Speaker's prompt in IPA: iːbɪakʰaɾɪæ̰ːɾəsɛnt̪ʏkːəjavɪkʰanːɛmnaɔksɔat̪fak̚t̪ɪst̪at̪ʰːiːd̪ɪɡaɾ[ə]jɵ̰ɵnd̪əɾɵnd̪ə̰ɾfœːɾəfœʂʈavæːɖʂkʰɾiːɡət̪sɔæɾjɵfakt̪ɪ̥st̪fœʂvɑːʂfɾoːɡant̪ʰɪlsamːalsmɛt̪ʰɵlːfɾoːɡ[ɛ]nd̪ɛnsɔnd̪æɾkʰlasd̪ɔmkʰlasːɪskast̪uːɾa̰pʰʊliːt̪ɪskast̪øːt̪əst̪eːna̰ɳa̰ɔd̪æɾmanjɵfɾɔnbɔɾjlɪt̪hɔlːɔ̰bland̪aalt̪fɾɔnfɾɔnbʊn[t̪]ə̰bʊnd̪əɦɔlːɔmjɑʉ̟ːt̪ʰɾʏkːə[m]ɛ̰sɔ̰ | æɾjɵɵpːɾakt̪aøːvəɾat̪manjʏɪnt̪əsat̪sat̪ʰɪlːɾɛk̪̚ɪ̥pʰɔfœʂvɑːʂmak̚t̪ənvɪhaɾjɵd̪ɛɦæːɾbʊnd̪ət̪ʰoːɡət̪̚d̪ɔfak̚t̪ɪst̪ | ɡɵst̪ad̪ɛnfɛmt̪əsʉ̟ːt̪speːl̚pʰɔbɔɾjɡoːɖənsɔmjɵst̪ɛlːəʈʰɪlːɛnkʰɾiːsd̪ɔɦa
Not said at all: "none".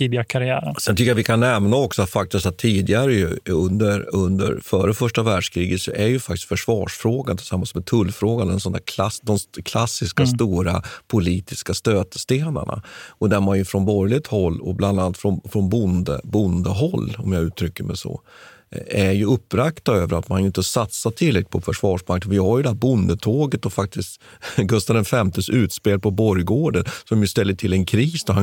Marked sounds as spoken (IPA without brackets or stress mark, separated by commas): ə, a, d̪, m